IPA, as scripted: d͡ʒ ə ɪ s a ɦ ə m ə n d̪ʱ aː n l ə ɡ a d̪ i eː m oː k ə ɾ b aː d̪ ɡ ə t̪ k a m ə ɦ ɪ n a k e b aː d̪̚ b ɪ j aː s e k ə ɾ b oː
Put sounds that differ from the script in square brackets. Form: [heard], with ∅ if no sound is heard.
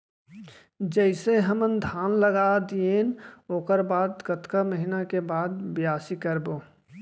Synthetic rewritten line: d͡ʒ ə ɪ s [e] ɦ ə m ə n d̪ʱ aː n l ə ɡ a d̪ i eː [n] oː k ə ɾ b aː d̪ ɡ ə t̪ k a m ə ɦ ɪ n a k e b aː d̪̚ b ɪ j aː s [i] k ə ɾ b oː